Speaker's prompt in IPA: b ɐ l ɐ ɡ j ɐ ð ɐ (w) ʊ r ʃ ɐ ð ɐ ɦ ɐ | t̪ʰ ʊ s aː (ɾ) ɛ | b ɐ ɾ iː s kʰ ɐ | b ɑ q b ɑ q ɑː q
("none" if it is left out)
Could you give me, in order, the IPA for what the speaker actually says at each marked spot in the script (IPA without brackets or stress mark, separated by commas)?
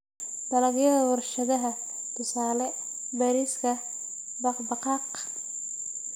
w, l